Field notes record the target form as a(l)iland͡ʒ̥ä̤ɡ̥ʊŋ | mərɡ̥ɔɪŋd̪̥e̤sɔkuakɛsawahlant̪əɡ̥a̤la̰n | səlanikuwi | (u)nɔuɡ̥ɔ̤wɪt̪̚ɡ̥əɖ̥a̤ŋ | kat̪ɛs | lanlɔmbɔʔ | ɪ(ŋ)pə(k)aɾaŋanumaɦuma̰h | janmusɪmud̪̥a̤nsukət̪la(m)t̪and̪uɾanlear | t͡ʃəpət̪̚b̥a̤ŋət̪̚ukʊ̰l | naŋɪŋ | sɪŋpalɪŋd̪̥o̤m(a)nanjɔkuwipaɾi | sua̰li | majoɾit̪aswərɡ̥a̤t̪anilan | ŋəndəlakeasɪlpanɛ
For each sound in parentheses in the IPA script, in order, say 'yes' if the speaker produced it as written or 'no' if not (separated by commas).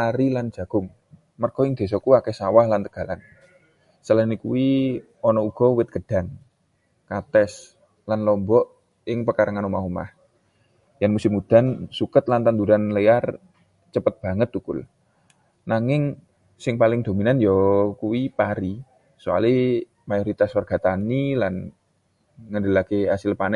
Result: no, no, yes, yes, no, no